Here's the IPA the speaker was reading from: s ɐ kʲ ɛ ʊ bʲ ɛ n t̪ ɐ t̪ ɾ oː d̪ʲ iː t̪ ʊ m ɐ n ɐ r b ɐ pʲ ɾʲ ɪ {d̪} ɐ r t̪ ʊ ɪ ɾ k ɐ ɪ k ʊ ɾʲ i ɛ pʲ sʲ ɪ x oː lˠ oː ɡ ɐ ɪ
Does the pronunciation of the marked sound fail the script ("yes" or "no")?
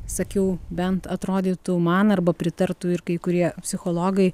yes